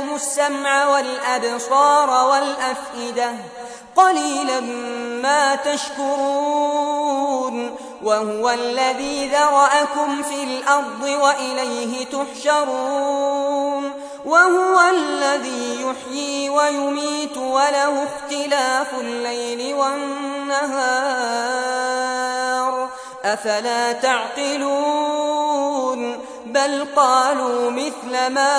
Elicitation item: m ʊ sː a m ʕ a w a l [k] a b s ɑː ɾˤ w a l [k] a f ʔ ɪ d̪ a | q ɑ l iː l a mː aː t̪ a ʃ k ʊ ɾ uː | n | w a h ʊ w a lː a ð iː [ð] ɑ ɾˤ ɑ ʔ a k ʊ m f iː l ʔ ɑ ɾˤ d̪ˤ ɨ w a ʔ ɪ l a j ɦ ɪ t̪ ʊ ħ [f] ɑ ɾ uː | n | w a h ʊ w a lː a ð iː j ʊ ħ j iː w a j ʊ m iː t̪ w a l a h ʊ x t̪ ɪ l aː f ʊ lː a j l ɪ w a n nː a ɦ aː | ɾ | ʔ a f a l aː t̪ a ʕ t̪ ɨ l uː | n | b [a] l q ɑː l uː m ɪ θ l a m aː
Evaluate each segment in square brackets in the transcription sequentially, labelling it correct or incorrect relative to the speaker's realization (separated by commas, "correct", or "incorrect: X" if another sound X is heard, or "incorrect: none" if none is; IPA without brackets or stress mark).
incorrect: ʔ, incorrect: ʔ, correct, incorrect: ʃ, correct